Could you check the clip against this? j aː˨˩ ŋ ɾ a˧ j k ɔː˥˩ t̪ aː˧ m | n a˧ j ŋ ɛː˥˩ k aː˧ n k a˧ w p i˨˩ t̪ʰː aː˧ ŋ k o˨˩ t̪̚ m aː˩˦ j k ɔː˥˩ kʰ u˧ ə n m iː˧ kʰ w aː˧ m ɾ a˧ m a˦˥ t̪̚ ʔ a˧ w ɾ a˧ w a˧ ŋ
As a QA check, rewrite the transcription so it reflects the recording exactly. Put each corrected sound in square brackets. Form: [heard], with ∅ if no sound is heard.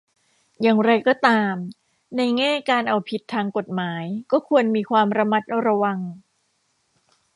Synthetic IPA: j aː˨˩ ŋ ɾ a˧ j k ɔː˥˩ t̪ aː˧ m | n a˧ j ŋ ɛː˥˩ k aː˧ n [ʔ] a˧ w [pʰ] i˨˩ t̪ʰː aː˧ ŋ k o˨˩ t̪̚ m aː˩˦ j k ɔː˥˩ kʰ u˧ ə n m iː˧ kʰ w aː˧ m ɾ a˧ m a˦˥ t̪̚ ʔ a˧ w ɾ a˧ w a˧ ŋ